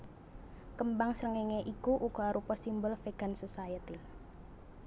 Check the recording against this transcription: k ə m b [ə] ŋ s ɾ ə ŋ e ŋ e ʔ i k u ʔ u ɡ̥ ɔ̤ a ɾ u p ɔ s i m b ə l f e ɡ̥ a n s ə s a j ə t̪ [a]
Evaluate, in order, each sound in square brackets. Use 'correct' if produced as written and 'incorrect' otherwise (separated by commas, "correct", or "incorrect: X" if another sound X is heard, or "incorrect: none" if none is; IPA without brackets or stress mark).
incorrect: a, incorrect: i